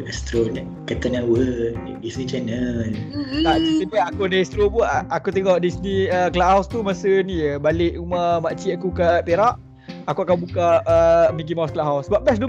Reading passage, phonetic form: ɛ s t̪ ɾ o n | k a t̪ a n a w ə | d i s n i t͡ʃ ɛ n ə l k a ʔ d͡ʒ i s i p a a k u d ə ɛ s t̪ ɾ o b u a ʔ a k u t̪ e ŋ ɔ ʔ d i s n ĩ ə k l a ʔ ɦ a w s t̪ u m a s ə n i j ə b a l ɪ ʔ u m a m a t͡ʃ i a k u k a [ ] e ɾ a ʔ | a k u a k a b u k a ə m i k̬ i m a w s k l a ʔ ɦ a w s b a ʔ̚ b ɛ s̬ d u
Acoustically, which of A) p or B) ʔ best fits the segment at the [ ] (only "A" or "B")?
A